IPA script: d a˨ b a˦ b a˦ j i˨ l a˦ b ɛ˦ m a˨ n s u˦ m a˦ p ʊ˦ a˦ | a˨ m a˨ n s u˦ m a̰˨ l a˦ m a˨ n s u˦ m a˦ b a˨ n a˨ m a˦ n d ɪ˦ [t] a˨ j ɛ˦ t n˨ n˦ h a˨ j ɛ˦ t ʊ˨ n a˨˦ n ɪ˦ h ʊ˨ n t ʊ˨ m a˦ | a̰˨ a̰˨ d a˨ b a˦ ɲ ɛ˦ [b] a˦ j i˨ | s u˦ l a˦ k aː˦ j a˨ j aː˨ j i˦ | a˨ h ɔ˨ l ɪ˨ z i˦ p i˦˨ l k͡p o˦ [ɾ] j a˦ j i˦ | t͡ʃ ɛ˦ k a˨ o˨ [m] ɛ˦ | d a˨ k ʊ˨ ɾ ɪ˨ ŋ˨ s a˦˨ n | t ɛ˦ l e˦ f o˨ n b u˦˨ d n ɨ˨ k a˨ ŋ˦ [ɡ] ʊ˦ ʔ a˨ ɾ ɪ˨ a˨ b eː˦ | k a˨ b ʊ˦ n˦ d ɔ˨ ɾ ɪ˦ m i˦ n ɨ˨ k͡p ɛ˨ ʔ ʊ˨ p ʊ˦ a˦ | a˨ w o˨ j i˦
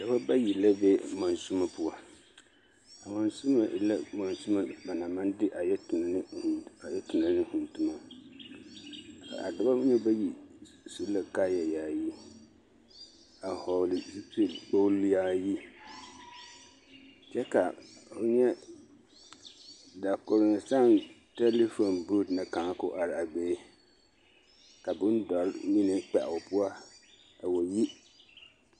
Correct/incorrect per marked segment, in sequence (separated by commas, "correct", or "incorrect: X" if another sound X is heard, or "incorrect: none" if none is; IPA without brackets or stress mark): incorrect: ʔ, correct, incorrect: l, incorrect: ɲ, incorrect: k